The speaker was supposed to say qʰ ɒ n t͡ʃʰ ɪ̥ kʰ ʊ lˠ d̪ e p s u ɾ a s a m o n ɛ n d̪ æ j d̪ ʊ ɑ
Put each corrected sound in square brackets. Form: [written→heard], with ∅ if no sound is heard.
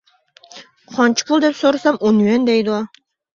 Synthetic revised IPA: qʰ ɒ n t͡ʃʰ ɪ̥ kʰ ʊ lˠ d̪ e p s [u→o] ɾ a s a m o n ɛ n d̪ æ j d̪ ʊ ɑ